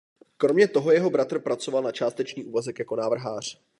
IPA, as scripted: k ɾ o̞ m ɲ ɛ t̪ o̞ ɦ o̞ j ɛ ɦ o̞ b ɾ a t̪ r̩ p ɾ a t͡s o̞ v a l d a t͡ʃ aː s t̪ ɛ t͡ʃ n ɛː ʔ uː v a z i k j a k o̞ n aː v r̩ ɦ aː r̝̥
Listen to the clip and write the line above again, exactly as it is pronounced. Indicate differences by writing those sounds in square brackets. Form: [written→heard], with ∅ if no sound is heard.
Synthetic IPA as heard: k ɾ o̞ m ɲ ɛ t̪ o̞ ɦ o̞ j ɛ ɦ o̞ b ɾ a t̪ r̩ p ɾ a t͡s o̞ v a l [d→n] a t͡ʃ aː s t̪ ɛ t͡ʃ n [ɛː→iː] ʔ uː v a z [i→ɛ] k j a k o̞ n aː v r̩ ɦ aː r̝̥